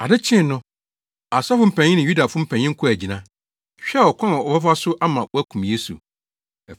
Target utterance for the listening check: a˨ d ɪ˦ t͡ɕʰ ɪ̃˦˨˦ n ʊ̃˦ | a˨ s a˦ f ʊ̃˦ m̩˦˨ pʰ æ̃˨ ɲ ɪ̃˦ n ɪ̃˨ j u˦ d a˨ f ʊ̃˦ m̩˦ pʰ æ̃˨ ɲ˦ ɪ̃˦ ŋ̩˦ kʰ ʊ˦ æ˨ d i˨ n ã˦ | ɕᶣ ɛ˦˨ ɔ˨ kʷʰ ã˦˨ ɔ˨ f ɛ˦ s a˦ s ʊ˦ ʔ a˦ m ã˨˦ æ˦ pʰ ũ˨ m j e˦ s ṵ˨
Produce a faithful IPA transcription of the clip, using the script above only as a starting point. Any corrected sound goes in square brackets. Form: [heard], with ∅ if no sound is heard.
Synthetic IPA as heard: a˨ d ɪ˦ t͡ɕʰ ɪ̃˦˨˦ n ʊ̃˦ | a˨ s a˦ f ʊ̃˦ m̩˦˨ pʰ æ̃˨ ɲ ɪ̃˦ n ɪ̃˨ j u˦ d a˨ f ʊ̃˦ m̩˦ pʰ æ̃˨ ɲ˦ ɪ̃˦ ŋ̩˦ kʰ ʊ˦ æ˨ [d͡ʑ] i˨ n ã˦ | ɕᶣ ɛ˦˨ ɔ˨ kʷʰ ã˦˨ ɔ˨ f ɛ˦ [f] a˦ s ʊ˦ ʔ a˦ m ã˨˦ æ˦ [kʰ] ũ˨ m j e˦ s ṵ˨